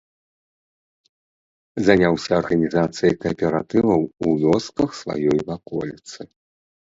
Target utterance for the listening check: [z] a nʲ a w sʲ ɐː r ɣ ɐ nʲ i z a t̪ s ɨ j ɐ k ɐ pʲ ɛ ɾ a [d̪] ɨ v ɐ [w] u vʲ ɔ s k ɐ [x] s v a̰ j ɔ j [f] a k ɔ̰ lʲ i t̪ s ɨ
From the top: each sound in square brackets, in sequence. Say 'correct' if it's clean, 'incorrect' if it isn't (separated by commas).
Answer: correct, incorrect, correct, correct, incorrect